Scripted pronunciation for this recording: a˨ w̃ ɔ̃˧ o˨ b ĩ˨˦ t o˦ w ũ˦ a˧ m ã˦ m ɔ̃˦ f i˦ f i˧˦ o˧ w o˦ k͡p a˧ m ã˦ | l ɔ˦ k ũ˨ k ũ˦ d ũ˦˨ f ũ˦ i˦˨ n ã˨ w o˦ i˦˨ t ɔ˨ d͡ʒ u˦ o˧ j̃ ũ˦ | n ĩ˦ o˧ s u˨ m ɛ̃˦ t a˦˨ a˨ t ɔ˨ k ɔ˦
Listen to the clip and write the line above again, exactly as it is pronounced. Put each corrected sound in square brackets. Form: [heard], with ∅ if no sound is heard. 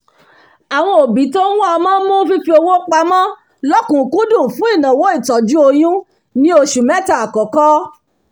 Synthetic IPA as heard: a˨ w̃ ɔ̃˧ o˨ b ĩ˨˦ t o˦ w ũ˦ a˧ m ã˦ m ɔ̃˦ f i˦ f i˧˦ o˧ w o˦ k͡p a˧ m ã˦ | l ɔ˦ k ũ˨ k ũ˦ d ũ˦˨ f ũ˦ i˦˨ n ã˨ w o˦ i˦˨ t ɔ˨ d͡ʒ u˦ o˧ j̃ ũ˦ | n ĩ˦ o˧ [ʃ] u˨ m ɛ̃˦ t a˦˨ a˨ [k] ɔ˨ k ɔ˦